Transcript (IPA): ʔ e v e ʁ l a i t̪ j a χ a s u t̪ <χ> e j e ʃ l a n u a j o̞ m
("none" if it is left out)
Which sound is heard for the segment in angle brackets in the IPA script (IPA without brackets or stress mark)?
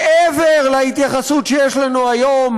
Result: ʃ